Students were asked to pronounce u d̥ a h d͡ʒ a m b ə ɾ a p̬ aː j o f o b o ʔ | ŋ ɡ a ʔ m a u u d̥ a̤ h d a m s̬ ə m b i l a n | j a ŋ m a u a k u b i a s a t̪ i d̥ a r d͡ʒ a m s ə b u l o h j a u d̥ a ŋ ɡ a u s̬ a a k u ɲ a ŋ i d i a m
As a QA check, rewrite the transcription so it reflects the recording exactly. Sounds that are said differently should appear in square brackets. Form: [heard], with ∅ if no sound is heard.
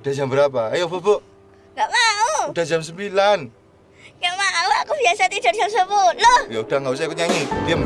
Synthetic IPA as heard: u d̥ a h d͡ʒ a m b ə ɾ a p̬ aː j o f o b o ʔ | ŋ ɡ a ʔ m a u u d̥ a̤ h [d͡ʒ] a m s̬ ə m b i l a n | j a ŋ m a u a k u b i a s a t̪ i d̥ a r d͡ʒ a m s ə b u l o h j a u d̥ a ŋ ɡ a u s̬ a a k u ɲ a ŋ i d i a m